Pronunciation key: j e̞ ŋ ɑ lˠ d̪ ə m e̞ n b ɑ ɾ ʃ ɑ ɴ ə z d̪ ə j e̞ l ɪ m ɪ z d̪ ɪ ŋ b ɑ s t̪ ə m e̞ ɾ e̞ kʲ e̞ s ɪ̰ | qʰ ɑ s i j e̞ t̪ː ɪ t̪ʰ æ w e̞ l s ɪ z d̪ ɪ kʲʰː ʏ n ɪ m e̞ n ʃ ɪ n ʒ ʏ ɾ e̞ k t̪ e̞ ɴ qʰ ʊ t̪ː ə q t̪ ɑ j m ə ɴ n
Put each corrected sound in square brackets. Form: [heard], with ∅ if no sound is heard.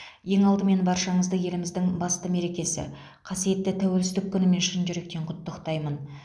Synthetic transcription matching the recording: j e̞ ŋ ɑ lˠ d̪ ə m e̞ n b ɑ ɾ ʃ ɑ ɴ ə z d̪ ə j e̞ l ɪ m ɪ z d̪ ɪ ŋ b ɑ s t̪ ə m e̞ ɾ e̞ kʲ e̞ s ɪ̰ | qʰ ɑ s i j e̞ t̪ː ɪ t̪ʰ æ w e̞ l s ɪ z d̪ ɪ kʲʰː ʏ n ɪ m e̞ n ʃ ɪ n ʒ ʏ ɾ e̞ k t̪ e̞ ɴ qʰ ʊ t̪ː ə q t̪ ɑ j m ə [∅] n